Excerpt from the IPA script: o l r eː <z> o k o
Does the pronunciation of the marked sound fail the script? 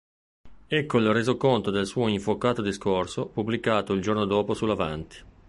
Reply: no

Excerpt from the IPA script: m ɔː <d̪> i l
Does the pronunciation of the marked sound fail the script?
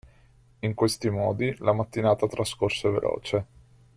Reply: no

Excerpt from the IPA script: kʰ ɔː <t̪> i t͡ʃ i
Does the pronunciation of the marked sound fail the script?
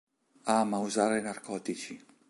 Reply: no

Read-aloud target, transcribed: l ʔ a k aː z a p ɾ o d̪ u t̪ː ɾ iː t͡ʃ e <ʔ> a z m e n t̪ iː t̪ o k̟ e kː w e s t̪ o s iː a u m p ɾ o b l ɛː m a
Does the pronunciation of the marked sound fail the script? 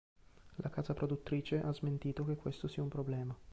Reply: no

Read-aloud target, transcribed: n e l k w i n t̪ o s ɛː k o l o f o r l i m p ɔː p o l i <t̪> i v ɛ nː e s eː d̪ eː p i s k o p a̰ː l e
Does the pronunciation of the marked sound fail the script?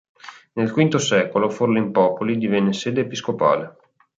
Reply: yes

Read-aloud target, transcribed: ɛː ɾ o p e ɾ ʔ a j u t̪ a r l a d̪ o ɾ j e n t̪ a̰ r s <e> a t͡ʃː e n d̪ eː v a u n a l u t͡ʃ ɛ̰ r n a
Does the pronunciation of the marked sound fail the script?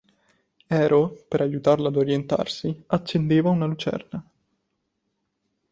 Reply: yes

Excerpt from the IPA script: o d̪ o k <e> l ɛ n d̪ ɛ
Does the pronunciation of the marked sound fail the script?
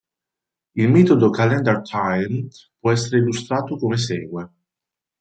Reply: yes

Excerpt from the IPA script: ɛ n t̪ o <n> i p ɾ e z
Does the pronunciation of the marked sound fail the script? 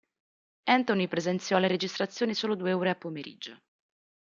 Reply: no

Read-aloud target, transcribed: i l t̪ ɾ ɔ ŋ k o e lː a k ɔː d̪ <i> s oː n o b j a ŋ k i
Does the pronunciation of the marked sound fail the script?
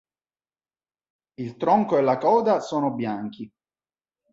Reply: yes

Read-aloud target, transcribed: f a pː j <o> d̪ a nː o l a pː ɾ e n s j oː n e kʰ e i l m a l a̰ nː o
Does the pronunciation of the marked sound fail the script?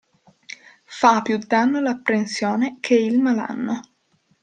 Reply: yes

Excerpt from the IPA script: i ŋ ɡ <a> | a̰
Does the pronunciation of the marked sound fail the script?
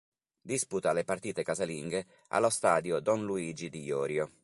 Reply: yes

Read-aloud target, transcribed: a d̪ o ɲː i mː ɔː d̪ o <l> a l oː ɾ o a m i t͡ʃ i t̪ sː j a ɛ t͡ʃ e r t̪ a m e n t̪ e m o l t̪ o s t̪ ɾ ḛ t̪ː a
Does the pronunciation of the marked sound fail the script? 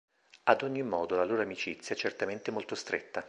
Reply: no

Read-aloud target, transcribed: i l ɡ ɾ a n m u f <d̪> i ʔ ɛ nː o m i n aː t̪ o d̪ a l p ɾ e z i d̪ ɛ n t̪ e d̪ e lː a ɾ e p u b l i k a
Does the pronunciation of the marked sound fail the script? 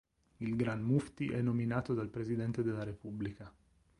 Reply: yes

